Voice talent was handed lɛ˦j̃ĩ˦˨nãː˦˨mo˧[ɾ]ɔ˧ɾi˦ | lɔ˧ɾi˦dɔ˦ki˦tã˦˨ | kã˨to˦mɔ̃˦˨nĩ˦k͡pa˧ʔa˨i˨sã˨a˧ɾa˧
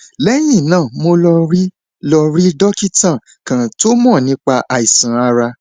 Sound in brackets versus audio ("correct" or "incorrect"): incorrect